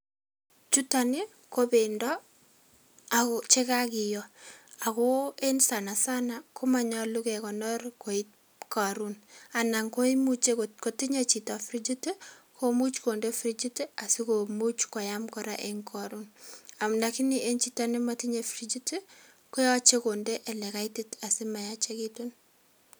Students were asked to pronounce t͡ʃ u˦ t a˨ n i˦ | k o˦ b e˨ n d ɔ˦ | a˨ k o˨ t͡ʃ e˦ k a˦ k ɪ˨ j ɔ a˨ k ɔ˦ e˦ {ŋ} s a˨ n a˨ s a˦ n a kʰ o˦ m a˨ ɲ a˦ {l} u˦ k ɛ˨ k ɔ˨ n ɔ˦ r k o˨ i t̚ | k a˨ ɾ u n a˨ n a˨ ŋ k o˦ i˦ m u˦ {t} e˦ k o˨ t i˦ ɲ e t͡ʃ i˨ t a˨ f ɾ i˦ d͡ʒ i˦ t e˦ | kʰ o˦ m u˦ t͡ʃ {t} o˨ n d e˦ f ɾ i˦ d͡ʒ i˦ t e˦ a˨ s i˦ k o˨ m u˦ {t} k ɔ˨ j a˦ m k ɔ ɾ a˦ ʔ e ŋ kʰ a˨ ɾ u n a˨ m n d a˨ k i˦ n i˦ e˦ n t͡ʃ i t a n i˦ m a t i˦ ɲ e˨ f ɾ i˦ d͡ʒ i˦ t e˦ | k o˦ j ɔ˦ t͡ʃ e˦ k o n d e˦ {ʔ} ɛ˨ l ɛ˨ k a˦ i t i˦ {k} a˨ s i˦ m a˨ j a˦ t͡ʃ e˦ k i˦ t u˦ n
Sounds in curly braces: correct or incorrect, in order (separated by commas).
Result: incorrect, correct, incorrect, incorrect, incorrect, correct, incorrect